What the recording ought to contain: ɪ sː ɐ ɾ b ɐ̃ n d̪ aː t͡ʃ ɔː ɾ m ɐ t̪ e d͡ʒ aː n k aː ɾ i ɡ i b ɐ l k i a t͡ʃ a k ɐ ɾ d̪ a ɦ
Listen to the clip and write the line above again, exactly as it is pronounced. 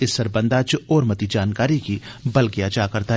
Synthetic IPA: ɪ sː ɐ ɾ b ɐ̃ n d̪ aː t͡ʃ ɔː ɾ m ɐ t̪ i d͡ʒ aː n k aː ɾ i k i b ɐ l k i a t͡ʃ a k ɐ ɾ t̪ a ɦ